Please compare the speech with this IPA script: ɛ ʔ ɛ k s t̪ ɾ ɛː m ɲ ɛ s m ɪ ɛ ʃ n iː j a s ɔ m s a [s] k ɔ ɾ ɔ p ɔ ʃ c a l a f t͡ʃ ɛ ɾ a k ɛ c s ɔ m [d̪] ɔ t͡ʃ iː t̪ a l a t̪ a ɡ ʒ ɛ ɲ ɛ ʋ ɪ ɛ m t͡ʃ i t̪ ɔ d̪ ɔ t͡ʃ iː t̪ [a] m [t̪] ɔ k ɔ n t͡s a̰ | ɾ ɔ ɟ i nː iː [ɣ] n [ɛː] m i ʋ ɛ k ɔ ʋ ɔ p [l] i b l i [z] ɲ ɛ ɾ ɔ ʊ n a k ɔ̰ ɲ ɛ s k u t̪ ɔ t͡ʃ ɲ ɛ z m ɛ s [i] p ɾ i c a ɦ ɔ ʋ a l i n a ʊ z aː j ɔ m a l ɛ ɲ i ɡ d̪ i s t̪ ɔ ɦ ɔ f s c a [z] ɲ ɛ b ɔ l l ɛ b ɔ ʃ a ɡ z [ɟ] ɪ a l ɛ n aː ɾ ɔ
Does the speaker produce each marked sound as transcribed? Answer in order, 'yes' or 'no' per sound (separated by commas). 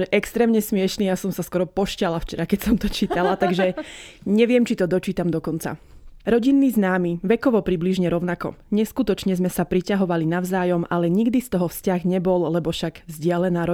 yes, no, yes, no, no, no, no, no, no, no, yes